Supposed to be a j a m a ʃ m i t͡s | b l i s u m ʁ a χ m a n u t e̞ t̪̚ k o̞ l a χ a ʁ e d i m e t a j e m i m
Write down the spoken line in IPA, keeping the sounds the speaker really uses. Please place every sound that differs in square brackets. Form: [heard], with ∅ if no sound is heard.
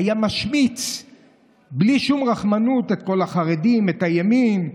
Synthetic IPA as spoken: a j a m a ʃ m i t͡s | b l i [ʃ] u m ʁ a χ m a n u t e̞ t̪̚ k o̞ l a χ a ʁ e d i m e t a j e m i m